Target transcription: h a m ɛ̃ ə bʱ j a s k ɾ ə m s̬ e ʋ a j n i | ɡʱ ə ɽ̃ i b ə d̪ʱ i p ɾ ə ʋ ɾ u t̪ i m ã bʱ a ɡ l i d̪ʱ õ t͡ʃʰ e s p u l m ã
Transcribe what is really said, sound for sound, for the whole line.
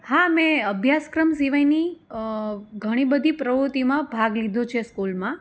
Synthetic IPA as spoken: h a m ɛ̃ ə bʱ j a s k ɾ ə m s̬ i ʋ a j n i | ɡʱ ə ɽ̃ i b ə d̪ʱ i p ɾ ə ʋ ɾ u t̪ i m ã bʱ a ɡ l i d̪ʱ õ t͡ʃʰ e s k u l m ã